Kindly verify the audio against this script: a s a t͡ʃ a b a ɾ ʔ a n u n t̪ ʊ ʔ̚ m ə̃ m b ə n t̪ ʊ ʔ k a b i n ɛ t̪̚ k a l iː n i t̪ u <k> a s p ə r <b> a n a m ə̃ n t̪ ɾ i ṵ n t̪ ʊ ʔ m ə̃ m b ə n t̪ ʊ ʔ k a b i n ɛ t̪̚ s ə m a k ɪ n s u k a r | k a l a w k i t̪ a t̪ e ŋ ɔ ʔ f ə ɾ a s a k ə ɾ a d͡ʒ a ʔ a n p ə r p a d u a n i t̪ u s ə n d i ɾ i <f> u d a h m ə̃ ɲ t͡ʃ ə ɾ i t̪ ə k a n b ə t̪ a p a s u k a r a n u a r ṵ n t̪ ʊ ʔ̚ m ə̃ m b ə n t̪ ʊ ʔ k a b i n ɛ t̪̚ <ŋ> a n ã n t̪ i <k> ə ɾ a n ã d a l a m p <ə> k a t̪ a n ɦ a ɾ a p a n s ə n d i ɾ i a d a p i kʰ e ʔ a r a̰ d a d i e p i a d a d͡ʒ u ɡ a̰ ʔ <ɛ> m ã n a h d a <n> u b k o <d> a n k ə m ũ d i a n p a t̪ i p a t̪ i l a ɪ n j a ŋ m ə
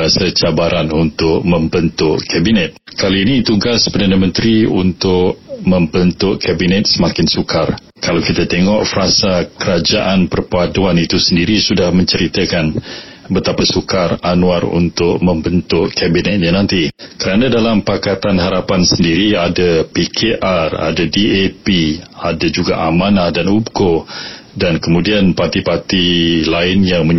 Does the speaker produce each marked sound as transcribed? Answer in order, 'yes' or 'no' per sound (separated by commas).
no, no, no, no, yes, no, no, yes, yes